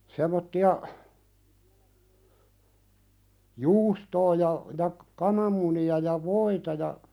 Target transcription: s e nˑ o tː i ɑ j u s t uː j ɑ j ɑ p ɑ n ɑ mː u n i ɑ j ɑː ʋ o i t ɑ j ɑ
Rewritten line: s e mˑ o tː i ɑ j uː s t oː j ɑ j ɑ k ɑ n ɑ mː u n i ɑ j ɑ ʋ o i t ɑ j ɑ

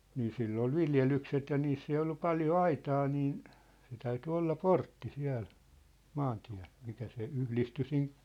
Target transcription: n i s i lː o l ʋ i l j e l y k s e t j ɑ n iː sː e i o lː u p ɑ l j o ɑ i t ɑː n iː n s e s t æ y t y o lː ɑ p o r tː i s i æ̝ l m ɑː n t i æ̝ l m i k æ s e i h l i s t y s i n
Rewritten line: n iː s i lː o l ʋ i l j e l y k s e t j ɑ n iː sː e i o lː u p ɑ l j o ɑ i t ɑː n iː n s e t æ y t y o lː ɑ p o r tː i s i æ̝ l m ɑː n t i æ̝ l m i k æ s e y h l i s t y s i n

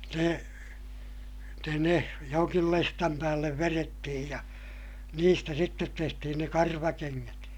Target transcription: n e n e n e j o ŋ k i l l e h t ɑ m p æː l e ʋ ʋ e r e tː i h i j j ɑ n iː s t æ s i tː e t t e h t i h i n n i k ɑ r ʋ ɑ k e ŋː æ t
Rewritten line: n e n e n e j o ŋ k i l l e s t ɑ m p æː lː e ʋ ʋ e r e tː i h i j j ɑ n iː s t æ s i tː e t t e h t i h i n n e k ɑ r ʋ ɑ k e ŋː æ t

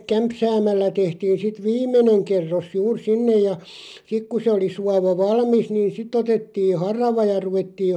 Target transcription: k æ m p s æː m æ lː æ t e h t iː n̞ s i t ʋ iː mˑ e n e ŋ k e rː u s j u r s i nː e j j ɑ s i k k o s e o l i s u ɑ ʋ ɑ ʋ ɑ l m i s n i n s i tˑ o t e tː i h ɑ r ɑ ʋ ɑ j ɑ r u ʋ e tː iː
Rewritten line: k æ m p s æː m æ lː æ t e h t iː n̞ s i t ʋ iː mˑ e n e ŋ k e rː o s j uː r s i nː e j j ɑ s i k k u s e o l i s u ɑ ʋ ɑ ʋ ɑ l m i s n iː n s i tˑ o t e tː i h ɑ r ɑ ʋ ɑ j ɑ r u ʋ e tː iː

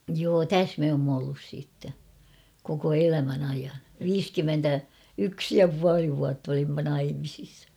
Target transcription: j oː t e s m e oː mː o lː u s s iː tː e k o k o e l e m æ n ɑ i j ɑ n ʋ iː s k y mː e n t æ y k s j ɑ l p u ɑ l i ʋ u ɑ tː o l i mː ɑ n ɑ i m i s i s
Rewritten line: j oː t æ s m e oː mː o lː u s s iː tː e k o k o e l æ m æ n ɑ i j ɑ n ʋ iː s k y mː e n t æ y k s j ɑ p u ɑ l i ʋ u ɑ tː o l i mː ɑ n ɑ i m i s i s

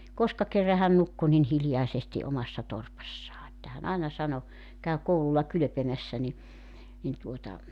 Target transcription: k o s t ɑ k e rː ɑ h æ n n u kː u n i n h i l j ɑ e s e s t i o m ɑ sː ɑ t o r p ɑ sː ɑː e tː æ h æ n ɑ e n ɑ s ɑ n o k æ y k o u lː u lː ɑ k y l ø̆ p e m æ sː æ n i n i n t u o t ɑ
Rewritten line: k o s k ɑ k e rː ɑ h æ n n u kː u n i n h i l j ɑ e s e s t i o m ɑ sː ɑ t o r p ɑ sː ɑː e tː æ h æ n ɑ e n ɑ s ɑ n o k æ y k o u l u lː ɑ k y l ø̆ p e m æ sː æ n i n i n t u o t ɑ

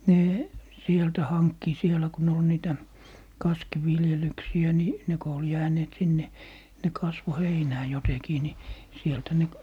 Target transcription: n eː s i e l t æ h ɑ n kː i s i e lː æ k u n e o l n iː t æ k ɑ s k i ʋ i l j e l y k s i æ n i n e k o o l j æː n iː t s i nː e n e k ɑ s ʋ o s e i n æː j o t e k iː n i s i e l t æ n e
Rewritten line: n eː s i e l t æ h ɑ n kː i s i e l æ k u n e o l n iː t æ k ɑ s k i ʋ i l j e l y k s i æ n i n e k o o l j æː n eː t s i nː e n e k ɑ s ʋ o h e i n æː j o t e k iː n i s i e l t æ n e

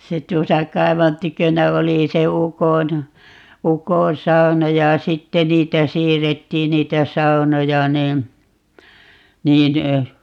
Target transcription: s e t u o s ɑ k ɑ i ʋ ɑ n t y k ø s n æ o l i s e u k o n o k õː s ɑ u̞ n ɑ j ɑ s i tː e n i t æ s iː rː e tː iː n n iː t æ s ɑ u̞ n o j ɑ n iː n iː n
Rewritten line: s e t u o s ɑ k ɑ i ʋ ɑ n t y k ø n æ o l i s e u k o n u k õː s ɑ u̞ n ɑ j ɑ s i tː e n iː t æ s iː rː e tː iː n n iː t æ s ɑ u̞ n o j ɑ n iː n iː n

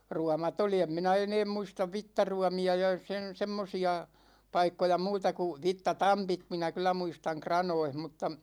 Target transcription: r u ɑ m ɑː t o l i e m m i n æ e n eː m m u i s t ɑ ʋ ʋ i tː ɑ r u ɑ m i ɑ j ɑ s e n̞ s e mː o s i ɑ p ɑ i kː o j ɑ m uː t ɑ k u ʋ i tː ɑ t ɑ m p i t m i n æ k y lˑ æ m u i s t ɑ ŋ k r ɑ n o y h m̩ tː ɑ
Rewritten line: r u ɑ m ɑ t o l i e m m i n æ e n eː m m u i s t ɑ ʋ ʋ i tː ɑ r u ɑ m i ɑ j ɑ s e n̞ s e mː o s i ɑ p ɑ i kː o j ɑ m uː t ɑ k u ʋ i tː ɑ t ɑ m p i t m i n æ k y lˑ æ m u i s t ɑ ŋ k r ɑ n o i h m̩ tː ɑ

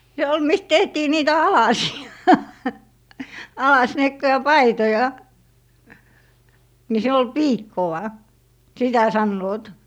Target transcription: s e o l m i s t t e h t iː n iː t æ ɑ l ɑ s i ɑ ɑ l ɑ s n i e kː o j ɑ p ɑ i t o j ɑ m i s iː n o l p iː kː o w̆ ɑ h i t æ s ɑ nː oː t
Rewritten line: s e o l m i s t t e h t iː n iː t æ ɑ l ɑ s i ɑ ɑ l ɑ s n i e kː o j ɑ p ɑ i t o j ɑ n i s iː n o l p iː kː o w̆ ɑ s i t æ s ɑ nː oː t

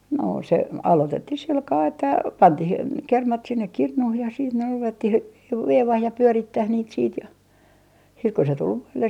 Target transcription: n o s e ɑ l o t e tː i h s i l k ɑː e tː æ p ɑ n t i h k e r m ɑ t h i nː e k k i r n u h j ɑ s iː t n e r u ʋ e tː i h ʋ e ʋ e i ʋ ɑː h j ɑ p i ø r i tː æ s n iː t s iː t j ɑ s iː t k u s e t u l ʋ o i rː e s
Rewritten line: n o s e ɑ l o t e tː i h s i l k ɑː e tː æ p ɑ n t i h k e r m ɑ t s i nː e k k i r n u h j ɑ s iː t n e r u ʋ e tː i h ʋ e ʋ e i ʋ ɑː h j ɑ p y ø r i tː æ h n iː t s iː t j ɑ s iː t k u s e t u l ʋ o i lː e s

